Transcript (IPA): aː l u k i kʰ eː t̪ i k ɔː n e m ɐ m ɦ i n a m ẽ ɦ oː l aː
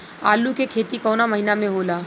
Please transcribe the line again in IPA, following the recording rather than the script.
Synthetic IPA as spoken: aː l u k e kʰ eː t̪ i k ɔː n a m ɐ ɦ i n a m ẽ ɦ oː l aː